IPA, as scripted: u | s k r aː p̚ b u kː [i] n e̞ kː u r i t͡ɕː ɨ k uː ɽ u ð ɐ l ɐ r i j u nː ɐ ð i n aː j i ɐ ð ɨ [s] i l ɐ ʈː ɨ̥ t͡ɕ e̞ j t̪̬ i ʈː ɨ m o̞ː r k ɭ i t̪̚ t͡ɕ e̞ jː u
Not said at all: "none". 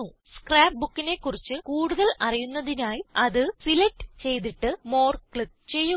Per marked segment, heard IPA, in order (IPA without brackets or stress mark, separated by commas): i, s